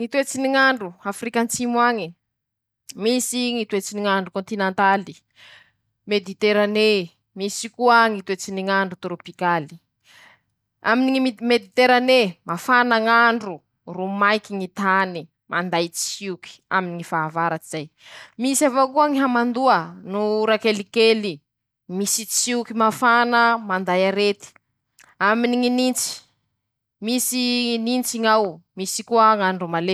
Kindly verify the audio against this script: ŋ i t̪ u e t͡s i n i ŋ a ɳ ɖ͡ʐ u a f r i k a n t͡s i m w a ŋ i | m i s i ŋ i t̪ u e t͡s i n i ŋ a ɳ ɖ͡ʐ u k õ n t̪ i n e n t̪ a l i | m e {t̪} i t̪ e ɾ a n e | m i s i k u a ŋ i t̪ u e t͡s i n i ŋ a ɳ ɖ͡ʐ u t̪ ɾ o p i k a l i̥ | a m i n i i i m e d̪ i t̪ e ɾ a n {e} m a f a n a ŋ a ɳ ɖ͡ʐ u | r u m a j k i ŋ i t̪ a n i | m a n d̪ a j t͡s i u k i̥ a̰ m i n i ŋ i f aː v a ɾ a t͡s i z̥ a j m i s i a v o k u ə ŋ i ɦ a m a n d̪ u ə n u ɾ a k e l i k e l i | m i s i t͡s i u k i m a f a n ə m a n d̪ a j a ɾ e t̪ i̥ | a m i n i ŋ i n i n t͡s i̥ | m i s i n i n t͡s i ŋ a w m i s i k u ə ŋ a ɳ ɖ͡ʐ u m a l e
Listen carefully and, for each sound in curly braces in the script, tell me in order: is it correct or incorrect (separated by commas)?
incorrect, correct